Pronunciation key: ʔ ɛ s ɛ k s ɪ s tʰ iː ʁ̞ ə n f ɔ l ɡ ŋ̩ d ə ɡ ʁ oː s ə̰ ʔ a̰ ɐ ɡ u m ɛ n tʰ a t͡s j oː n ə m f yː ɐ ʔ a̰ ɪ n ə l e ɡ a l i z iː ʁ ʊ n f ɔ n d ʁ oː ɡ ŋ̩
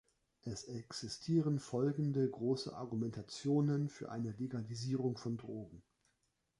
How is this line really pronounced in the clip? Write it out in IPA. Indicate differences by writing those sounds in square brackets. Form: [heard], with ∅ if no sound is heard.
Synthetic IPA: ʔ ɛ s ɛ k s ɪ s tʰ iː ʁ̞ ə n f ɔ l ɡ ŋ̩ d ə ɡ ʁ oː s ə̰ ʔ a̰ ɐ ɡ u m ɛ n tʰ a t͡s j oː n ə [n] f yː ɐ ʔ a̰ ɪ n ə l e ɡ a l i z iː ʁ ʊ [ŋ] f ɔ n d ʁ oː ɡ ŋ̩